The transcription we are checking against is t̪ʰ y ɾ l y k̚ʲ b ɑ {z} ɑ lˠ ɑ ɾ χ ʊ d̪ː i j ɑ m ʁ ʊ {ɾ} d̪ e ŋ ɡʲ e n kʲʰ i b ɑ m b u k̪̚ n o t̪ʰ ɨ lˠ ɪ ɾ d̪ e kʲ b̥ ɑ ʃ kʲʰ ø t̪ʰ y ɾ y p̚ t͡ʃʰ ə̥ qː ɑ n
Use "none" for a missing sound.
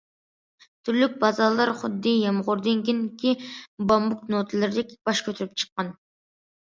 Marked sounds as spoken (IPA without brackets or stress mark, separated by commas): z, ɾ